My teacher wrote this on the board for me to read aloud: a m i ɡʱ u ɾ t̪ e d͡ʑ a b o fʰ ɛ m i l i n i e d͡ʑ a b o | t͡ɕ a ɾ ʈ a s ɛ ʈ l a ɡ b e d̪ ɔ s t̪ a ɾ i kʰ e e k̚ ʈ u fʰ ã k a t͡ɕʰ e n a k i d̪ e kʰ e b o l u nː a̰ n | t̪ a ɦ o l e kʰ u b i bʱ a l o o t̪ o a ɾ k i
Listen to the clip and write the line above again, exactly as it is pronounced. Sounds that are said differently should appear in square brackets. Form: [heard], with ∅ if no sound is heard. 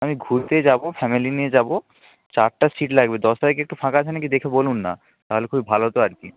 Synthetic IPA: a m i ɡʱ u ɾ t̪ e d͡ʑ a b o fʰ ɛ m i l i n i e d͡ʑ a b o | t͡ɕ a ɾ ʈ a s [i] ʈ l a ɡ b e d̪ ɔ s t̪ a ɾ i [k] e e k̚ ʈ u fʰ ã k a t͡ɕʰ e n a k i d̪ e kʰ e b o l u nː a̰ [∅] | t̪ a ɦ o l e kʰ u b i bʱ a l o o t̪ o a ɾ k i